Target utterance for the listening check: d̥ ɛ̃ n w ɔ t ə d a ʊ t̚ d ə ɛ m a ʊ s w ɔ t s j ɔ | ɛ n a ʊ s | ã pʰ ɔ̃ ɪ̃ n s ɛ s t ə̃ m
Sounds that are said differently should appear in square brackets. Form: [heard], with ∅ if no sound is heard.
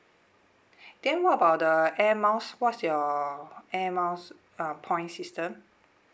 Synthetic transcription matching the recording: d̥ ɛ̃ n w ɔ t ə [b] a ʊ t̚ d ə ɛ m a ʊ s w ɔ t s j ɔ | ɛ [m] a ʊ s | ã pʰ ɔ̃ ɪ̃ n s [i] s t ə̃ m